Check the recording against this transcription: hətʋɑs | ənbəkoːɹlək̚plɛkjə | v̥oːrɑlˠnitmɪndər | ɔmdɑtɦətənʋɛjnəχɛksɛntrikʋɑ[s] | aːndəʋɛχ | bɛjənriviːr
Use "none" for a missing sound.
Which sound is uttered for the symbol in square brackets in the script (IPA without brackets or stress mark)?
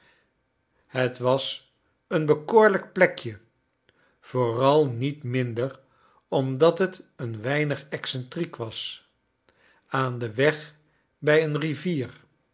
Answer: s